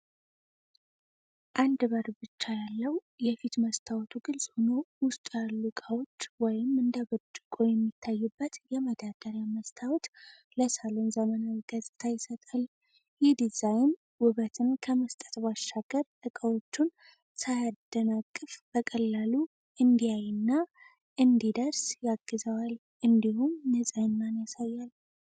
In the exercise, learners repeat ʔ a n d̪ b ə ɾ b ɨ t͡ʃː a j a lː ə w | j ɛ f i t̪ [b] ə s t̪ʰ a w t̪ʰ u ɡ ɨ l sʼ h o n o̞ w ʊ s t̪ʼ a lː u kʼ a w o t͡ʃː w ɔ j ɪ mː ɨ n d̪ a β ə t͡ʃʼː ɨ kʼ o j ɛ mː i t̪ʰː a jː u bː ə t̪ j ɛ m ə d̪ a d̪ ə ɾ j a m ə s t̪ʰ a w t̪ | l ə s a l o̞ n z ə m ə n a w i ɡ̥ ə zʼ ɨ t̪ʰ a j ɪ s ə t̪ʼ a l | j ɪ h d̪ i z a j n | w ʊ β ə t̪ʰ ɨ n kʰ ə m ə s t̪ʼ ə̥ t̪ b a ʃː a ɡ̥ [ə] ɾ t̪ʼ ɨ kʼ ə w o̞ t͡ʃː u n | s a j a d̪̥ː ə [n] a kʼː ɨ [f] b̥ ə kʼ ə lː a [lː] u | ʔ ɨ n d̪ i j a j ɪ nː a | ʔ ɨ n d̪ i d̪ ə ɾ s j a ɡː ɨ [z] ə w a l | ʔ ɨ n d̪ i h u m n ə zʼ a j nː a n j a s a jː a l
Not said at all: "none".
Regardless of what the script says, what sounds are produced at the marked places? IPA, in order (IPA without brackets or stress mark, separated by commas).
m, ə, n, f, l, z